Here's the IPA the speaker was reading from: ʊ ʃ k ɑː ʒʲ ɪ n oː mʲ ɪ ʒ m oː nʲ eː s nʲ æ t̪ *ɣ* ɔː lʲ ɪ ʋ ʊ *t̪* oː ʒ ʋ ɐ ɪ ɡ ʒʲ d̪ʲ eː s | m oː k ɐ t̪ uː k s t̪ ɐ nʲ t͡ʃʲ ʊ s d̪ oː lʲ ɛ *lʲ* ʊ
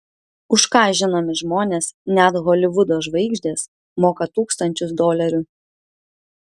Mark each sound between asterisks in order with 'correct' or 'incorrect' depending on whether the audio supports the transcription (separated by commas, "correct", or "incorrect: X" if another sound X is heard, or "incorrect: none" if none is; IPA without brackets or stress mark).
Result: correct, incorrect: d̪, incorrect: ɾʲ